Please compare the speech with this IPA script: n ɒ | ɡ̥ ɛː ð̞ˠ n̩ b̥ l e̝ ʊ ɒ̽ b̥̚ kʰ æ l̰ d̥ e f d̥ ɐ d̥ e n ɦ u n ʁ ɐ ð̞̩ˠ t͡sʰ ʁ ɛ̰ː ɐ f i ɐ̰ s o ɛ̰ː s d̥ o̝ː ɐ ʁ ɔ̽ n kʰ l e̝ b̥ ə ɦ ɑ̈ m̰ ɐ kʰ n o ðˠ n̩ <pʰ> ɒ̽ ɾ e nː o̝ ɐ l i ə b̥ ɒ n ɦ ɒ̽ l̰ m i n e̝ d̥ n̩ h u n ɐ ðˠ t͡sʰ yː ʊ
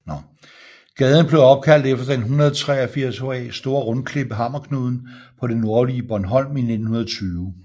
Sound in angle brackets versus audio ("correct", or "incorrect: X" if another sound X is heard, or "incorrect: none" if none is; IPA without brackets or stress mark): correct